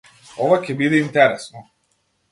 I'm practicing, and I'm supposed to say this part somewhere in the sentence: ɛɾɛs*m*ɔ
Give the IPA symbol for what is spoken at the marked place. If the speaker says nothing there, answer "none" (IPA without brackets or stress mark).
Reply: n